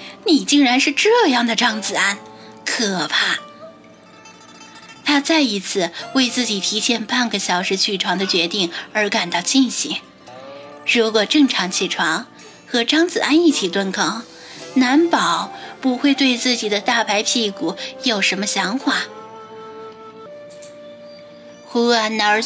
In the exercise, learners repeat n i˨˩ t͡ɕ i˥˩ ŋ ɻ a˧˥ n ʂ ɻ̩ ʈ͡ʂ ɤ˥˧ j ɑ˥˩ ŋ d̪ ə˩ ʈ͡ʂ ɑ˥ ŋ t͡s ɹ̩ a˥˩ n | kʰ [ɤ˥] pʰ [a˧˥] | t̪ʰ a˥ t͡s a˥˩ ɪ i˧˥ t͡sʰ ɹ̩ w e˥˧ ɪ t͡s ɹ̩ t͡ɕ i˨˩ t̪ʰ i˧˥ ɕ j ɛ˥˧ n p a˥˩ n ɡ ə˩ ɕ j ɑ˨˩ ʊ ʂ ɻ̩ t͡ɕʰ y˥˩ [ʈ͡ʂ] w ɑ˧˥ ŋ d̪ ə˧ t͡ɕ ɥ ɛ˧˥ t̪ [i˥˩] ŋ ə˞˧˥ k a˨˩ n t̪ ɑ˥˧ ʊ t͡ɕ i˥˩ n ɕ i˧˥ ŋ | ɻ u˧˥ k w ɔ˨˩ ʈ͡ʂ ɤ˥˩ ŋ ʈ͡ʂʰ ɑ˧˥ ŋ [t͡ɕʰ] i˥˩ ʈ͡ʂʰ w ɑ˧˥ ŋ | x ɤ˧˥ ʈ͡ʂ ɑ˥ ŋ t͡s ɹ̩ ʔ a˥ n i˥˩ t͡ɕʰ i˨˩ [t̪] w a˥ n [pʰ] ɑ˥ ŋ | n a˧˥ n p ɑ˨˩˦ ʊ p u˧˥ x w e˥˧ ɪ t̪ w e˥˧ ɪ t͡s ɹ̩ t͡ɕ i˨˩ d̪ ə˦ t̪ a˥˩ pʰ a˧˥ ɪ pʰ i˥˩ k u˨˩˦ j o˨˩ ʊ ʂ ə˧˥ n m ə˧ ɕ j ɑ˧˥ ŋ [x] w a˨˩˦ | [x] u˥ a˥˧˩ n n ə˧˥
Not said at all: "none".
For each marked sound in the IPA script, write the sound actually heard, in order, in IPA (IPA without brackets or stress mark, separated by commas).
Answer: ɤ˨˩, a˥˩, ʈ͡ʂʰ, i˥˩, t͡ɕʰ, t̪, kʰ, x, x